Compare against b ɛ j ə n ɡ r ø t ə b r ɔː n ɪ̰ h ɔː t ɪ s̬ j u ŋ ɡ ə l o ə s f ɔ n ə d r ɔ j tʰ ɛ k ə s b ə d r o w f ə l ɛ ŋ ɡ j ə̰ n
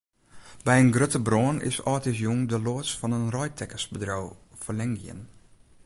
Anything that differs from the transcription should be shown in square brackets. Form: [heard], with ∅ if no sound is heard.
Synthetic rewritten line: b ɛ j ə n ɡ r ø t ə b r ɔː n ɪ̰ [s] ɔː t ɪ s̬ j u ŋ [d] ə l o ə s f ɔ n ə [n] r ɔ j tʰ ɛ k ə s b ə d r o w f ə l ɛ ŋ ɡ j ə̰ n